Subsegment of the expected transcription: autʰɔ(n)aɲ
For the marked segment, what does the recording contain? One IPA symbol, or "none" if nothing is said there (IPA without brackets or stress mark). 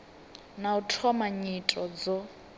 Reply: m